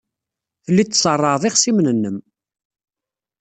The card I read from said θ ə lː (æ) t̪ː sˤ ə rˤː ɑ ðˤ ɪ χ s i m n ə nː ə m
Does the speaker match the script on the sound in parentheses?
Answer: no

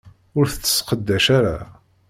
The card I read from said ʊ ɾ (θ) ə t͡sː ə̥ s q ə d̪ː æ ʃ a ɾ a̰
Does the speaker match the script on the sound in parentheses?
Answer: yes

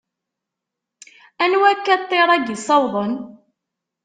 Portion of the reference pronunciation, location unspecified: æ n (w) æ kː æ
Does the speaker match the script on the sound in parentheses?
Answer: yes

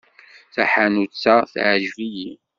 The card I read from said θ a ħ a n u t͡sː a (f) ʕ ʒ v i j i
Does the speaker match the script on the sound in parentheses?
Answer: no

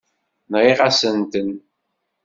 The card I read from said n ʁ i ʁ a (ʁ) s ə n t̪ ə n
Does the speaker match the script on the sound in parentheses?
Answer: no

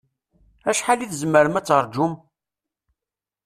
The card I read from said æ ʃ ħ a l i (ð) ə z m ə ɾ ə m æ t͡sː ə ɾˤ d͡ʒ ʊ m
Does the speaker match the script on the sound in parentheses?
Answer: no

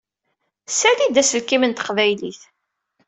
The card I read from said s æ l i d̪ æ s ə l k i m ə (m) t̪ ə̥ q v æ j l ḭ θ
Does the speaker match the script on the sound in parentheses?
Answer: no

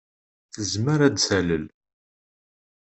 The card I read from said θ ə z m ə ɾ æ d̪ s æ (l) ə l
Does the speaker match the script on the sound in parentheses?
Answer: yes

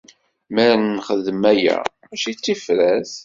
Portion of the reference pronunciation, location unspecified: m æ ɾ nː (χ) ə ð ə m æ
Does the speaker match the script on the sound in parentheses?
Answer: yes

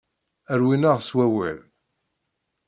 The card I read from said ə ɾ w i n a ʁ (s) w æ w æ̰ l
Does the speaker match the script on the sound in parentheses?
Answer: yes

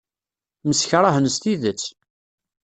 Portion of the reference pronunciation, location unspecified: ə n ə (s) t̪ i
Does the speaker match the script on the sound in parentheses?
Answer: yes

